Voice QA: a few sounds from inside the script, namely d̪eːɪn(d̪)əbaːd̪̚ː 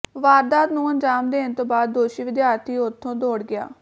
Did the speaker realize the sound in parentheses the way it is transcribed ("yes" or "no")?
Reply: no